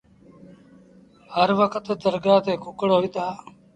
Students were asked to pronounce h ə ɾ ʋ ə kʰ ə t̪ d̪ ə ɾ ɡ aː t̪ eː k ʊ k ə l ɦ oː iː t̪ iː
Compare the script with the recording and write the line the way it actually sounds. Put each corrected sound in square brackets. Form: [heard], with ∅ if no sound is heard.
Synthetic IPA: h ə ɾ ʋ ə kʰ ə t̪ d̪ ə ɾ ɡ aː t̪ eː k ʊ k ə [ɽ] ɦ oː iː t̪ [aː]